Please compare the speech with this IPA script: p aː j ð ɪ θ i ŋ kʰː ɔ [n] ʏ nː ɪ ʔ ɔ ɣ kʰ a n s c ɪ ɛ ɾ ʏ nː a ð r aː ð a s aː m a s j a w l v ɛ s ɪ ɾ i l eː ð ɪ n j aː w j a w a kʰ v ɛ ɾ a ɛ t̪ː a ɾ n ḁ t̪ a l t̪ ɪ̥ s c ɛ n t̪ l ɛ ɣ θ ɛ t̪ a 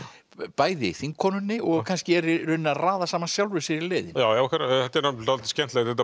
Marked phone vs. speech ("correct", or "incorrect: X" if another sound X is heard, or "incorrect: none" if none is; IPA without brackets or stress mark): correct